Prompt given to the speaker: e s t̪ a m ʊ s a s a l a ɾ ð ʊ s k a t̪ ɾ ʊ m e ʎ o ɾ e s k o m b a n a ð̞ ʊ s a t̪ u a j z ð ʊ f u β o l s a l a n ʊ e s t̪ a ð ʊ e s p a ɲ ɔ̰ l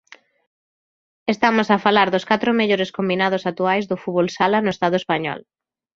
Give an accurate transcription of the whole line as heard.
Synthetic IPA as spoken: e s t̪ a m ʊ s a f a l a ɾ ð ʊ s k a t̪ ɾ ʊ m e ʎ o ɾ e s k o m b i n a ð̞ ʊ s a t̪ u a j z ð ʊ f u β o l s a l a n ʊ e s t̪ a ð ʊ e s p a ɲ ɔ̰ l